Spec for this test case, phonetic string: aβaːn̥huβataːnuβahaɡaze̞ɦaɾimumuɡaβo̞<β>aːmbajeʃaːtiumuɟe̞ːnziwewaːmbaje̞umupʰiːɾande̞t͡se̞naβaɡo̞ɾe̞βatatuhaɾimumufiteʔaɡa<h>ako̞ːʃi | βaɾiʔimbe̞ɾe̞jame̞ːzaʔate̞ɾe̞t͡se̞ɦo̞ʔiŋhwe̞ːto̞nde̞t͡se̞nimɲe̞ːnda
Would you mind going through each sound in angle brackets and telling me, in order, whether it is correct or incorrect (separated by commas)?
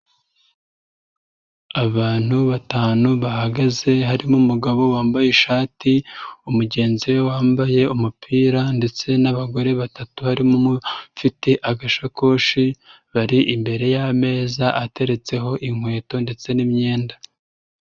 incorrect, incorrect